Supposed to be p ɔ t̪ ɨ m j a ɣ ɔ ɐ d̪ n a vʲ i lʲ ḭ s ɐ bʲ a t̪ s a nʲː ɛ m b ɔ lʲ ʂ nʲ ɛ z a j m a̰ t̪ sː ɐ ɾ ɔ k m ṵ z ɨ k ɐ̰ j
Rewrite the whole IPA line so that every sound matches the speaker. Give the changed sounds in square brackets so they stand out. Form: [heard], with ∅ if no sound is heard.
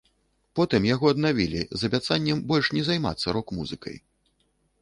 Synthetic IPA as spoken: p ɔ t̪ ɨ m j a ɣ ɔ ɐ d̪ n a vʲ i lʲ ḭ [z] ɐ bʲ a t̪ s a nʲː ɛ m b ɔ lʲ ʂ nʲ ɛ z a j m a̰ t̪ sː ɐ ɾ ɔ k m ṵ z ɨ k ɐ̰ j